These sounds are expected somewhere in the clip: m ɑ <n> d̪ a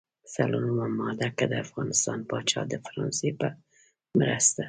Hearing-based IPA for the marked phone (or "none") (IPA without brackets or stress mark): none